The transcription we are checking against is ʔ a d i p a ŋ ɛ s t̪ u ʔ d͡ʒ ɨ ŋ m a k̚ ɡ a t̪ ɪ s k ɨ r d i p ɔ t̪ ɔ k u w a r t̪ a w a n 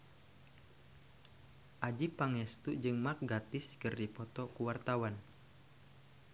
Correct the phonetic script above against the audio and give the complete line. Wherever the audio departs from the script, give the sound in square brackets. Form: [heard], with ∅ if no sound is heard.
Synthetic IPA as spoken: ʔ a [d͡ʒ] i p a ŋ ɛ s t̪ u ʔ d͡ʒ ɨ ŋ m a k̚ ɡ a t̪ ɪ s k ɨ r d i p ɔ t̪ ɔ k u w a r t̪ a w a n